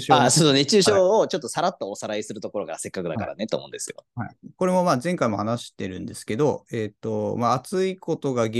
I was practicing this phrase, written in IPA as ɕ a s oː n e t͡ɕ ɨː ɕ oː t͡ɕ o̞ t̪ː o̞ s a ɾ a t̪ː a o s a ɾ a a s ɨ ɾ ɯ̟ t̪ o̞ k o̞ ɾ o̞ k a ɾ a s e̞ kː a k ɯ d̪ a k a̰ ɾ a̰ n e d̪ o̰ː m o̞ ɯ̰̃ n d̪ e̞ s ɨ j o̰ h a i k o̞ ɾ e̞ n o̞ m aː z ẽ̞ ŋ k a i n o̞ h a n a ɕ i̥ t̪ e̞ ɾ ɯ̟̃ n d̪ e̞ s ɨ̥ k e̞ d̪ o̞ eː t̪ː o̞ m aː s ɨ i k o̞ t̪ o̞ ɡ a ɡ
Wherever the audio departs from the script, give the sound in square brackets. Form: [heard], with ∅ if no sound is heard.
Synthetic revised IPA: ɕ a s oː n e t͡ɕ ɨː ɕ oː t͡ɕ o̞ t̪ː o̞ s a ɾ a t̪ː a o s a ɾ a [i] s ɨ ɾ ɯ̟ t̪ o̞ k o̞ ɾ o̞ k a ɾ a s e̞ kː a k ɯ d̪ a k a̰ ɾ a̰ n e [t̪] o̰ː m o̞ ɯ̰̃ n d̪ e̞ s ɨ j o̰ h a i k o̞ ɾ e̞ [m] o̞ m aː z ẽ̞ ŋ k a i [m] o̞ h a n a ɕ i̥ t̪ e̞ ɾ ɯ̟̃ n d̪ e̞ s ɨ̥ k e̞ d̪ o̞ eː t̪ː o̞ m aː [t͡s] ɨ i k o̞ t̪ o̞ ɡ a ɡ